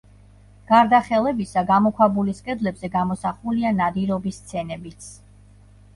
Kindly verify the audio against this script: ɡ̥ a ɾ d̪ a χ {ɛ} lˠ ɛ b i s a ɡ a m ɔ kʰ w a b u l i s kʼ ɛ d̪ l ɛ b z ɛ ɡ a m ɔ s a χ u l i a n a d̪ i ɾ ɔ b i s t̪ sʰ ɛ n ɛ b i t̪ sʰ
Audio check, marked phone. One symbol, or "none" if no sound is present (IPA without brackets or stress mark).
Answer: ɛ